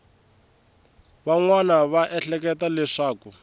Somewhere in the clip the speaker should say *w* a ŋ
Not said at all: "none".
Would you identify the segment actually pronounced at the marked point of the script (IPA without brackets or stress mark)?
β